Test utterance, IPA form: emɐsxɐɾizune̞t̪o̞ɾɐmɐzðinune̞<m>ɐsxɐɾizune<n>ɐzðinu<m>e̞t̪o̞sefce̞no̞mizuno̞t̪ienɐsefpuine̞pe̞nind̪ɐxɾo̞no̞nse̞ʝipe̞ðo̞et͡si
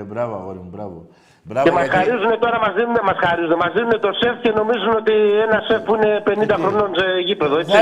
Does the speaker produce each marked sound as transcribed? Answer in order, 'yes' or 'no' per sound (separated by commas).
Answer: yes, no, no